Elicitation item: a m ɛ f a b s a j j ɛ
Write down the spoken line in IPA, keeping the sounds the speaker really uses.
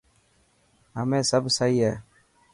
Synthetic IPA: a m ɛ s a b s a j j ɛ